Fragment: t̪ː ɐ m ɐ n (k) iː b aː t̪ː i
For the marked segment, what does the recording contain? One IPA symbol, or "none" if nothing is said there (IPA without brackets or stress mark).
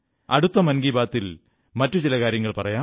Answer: ɡ